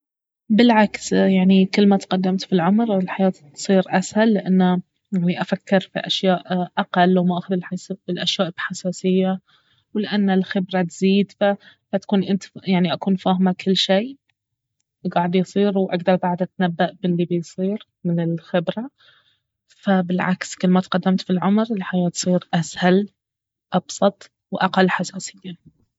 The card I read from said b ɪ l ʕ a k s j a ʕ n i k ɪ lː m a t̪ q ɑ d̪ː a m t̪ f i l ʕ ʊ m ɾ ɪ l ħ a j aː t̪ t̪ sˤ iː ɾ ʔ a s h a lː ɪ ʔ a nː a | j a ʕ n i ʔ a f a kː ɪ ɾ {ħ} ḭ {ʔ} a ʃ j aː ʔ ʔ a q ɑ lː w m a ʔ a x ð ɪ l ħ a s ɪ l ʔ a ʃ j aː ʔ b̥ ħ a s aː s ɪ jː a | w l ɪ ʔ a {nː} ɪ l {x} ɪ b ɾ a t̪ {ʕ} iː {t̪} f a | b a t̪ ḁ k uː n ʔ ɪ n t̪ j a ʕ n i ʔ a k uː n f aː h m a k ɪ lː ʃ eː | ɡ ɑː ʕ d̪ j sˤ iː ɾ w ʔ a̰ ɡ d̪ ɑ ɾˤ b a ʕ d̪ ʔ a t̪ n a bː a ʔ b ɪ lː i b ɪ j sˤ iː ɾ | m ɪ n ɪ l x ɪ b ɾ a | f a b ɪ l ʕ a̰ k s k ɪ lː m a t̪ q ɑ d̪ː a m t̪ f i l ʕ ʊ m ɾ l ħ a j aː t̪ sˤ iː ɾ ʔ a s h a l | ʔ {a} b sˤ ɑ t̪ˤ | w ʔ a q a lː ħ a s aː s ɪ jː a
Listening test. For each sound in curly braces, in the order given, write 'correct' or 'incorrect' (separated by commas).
incorrect, correct, correct, correct, incorrect, incorrect, incorrect